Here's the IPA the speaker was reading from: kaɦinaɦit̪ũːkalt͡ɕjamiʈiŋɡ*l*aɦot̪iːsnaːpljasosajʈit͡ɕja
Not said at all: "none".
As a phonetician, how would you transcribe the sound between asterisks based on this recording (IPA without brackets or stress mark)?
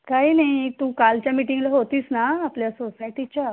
l